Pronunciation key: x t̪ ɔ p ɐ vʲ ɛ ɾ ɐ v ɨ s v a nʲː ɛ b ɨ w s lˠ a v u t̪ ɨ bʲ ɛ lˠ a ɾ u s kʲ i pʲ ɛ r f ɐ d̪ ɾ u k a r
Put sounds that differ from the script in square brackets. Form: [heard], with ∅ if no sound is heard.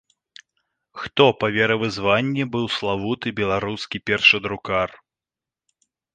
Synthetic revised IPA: x t̪ ɔ p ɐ vʲ ɛ ɾ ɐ v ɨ [z] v a nʲː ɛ b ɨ w s lˠ a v u t̪ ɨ bʲ ɛ lˠ a ɾ u s kʲ i pʲ ɛ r [ʂ] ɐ d̪ ɾ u k a r